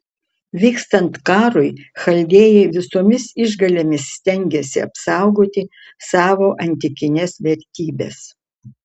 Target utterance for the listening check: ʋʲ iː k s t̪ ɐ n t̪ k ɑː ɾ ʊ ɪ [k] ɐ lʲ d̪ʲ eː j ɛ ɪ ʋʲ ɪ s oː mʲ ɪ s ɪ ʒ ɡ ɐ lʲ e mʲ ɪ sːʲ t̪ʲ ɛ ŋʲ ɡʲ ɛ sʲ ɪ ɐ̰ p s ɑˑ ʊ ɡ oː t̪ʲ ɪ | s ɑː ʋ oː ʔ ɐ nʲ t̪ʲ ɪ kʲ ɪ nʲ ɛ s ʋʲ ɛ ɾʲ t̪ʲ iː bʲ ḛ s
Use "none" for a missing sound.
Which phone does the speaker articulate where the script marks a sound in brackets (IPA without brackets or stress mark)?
x